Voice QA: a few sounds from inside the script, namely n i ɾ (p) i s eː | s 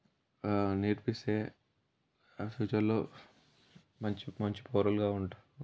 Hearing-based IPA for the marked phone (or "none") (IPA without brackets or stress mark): p